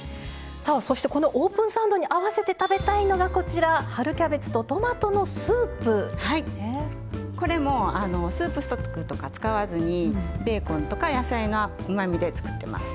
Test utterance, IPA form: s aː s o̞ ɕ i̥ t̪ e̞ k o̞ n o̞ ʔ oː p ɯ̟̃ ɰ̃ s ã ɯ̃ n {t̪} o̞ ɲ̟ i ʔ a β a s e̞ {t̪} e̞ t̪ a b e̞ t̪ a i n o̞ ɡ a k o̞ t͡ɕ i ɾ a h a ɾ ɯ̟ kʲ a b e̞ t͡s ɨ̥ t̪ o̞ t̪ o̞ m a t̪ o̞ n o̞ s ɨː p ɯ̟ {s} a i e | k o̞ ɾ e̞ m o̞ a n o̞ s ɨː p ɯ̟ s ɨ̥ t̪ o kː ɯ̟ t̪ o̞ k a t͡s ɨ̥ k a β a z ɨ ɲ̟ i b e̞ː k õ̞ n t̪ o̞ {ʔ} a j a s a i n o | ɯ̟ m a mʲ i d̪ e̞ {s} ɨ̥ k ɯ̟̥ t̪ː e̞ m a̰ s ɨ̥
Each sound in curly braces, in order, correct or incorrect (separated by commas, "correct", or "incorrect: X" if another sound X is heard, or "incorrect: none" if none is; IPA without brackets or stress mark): incorrect: d̪, correct, incorrect: h, incorrect: k, incorrect: t͡s